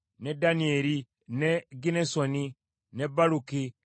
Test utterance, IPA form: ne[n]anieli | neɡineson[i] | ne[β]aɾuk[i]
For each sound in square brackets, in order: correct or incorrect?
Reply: incorrect: d, correct, incorrect: b, correct

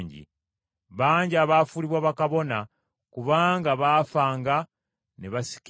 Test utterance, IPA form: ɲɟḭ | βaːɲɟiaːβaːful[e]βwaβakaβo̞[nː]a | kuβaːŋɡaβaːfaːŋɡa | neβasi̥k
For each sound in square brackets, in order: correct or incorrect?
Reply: incorrect: i, incorrect: n

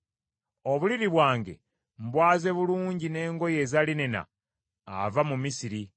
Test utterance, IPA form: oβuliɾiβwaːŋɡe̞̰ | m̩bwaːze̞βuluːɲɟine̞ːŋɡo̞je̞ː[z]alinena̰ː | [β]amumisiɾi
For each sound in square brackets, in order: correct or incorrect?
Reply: correct, incorrect: v

